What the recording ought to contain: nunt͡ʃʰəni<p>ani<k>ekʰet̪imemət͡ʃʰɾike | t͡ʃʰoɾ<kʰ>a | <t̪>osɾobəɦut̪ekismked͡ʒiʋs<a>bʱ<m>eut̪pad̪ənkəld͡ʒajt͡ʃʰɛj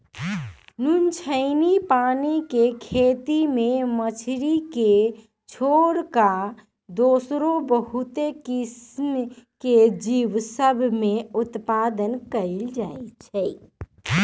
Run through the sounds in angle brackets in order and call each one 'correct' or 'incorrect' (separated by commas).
correct, correct, incorrect, incorrect, incorrect, correct